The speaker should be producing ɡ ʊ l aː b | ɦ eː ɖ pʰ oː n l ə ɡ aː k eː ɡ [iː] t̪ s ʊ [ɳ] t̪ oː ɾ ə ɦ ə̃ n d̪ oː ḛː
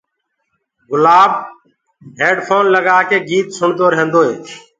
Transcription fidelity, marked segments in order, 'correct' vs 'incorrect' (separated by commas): correct, correct